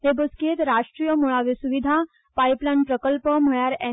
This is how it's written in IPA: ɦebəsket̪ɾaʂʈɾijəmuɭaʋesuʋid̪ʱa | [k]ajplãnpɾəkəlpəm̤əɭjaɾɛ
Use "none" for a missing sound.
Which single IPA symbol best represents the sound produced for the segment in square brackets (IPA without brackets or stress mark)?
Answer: p